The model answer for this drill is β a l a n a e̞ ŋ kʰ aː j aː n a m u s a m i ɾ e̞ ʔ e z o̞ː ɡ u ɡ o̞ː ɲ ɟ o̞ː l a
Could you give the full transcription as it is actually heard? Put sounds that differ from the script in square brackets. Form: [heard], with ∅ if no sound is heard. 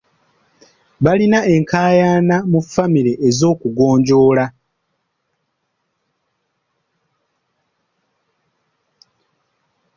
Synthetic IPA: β a l [i] n a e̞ ŋ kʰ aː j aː n a m u [f] a m i ɾ e̞ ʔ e z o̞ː [k] u ɡ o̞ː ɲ ɟ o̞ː l a